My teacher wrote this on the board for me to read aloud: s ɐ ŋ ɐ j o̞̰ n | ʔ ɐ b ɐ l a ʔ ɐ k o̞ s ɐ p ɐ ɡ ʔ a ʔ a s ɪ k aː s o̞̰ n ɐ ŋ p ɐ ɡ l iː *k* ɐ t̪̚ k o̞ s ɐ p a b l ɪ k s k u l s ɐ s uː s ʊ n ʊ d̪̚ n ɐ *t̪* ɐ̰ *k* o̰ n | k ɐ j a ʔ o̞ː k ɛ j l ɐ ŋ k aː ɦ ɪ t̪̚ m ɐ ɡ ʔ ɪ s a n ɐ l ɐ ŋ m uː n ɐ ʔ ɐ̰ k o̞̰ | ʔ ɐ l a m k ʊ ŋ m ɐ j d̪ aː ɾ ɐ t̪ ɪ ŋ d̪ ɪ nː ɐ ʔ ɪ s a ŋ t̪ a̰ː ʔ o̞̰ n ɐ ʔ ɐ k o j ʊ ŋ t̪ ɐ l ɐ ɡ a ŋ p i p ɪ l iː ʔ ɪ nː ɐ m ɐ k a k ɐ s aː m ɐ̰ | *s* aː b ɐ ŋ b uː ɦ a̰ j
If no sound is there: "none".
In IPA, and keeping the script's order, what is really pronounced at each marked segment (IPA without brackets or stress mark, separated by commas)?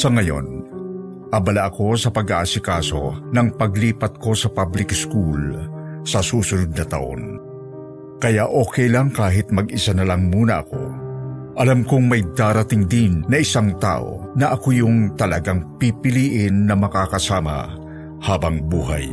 p, t̪, ʔ, h